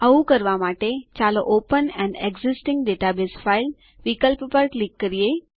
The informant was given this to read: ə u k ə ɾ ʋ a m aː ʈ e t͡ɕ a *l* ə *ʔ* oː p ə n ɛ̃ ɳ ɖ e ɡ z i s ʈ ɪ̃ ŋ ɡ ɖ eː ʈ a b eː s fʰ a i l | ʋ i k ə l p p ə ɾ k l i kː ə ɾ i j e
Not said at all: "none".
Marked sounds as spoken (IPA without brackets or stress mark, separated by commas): l, ʔ